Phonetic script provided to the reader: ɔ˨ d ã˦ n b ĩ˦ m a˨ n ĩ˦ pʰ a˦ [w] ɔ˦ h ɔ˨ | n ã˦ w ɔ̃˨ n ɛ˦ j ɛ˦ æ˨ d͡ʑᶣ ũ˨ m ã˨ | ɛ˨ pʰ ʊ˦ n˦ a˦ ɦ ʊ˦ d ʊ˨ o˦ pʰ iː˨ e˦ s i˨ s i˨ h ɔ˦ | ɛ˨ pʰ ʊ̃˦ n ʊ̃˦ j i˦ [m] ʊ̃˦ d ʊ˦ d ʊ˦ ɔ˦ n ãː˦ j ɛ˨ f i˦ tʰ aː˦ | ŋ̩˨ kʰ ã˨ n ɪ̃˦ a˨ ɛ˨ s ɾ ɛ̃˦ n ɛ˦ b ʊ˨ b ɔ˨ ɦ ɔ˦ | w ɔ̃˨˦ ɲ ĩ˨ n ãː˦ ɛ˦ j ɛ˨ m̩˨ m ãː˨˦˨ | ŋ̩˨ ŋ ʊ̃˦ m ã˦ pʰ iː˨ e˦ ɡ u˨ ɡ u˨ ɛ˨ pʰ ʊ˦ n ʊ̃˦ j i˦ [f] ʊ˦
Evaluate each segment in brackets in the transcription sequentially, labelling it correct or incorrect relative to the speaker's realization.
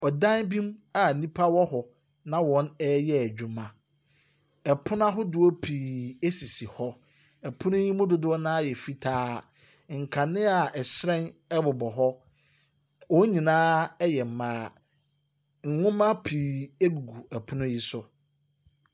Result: correct, correct, incorrect: s

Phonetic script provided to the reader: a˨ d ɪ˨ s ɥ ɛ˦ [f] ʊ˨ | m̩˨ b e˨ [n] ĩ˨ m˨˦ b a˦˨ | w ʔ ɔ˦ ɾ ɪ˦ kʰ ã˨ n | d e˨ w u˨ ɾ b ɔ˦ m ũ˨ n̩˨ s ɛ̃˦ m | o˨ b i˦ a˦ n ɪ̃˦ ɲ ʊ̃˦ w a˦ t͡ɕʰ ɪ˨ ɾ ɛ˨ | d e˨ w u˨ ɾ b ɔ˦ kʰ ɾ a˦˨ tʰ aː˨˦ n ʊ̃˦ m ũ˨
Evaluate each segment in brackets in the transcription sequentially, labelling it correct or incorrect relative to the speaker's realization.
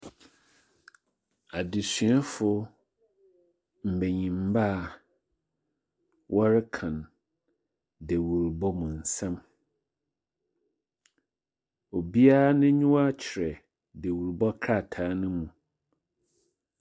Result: correct, incorrect: ɲ

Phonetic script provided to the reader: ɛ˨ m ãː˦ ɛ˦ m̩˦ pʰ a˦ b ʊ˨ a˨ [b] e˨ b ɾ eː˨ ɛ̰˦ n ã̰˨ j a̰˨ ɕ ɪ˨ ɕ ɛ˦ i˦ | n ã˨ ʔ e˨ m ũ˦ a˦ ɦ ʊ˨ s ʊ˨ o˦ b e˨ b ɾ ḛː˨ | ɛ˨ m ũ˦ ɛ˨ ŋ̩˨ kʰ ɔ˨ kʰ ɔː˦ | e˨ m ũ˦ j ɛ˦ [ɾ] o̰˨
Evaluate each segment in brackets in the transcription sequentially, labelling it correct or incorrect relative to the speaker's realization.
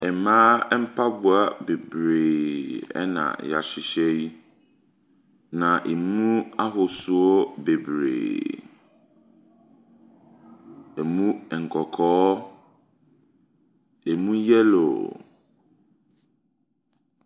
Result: correct, incorrect: l

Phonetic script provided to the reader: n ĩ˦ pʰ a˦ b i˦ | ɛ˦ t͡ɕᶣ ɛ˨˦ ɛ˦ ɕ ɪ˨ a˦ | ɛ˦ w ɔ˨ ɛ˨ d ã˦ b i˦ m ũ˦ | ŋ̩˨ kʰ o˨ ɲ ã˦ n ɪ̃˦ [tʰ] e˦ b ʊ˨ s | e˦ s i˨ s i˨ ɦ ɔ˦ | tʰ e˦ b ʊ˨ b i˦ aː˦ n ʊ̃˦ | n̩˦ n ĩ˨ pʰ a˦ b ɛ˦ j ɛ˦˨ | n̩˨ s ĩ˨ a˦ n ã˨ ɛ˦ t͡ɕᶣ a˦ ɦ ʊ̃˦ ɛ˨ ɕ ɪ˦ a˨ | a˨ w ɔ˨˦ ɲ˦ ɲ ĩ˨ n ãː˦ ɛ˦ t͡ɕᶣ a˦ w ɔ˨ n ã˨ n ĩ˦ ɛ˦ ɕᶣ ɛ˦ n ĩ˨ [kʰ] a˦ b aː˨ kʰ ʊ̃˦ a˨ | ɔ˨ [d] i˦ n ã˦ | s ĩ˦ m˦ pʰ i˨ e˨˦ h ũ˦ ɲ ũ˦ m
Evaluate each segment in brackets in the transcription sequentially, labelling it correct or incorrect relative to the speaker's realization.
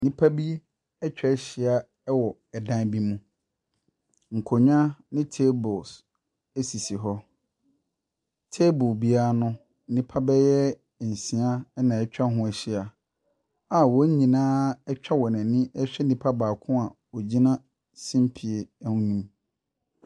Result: correct, incorrect: pʰ, incorrect: d͡ʑ

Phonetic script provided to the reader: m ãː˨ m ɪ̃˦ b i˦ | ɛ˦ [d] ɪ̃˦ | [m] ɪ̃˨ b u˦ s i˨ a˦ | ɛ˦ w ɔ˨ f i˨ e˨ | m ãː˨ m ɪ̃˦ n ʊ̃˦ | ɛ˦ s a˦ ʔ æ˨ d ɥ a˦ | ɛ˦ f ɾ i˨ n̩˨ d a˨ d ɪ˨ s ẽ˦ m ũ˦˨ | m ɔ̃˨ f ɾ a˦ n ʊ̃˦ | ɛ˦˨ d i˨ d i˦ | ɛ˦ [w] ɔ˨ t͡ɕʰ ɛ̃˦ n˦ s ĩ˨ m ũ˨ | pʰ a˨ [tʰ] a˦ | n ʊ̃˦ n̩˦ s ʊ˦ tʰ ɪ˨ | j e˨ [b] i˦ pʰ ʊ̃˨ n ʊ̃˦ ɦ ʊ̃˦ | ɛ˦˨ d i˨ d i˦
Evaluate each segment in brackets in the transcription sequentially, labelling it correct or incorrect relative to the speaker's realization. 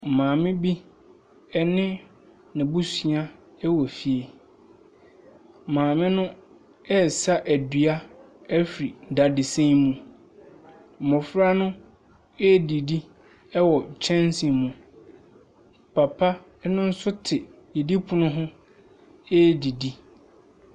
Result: incorrect: n, incorrect: n, correct, incorrect: pʰ, incorrect: d

